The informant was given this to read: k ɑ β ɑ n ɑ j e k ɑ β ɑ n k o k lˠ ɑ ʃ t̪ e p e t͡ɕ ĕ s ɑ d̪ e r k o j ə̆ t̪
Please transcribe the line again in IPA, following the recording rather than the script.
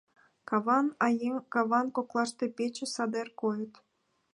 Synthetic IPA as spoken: k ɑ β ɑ n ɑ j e k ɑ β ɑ n k o k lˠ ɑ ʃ t̪ e p e t͡ɕ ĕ s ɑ d̪ e r k o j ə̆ t̪